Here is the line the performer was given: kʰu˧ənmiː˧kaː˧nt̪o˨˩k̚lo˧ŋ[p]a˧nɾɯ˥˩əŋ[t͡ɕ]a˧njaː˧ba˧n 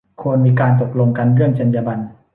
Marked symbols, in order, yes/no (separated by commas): no, yes